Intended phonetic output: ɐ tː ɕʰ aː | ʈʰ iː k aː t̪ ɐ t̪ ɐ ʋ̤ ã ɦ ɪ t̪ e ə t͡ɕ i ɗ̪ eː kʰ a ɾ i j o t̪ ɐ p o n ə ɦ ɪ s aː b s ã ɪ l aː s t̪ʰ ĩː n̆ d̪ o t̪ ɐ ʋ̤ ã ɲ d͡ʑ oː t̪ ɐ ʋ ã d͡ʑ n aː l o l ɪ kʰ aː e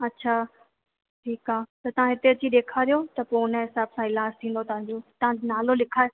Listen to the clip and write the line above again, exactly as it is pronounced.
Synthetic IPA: ɐ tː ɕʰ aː | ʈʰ iː k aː t̪ ɐ t̪ ɐ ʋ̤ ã ɦ ɪ t̪ e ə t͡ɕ i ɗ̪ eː kʰ a ɾ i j o t̪ ɐ p o n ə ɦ ɪ s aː b s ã ɪ l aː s t̪ʰ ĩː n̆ d̪ o t̪ ɐ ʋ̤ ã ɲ d͡ʑ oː t̪ ɐ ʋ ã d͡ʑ n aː l o l ɪ kʰ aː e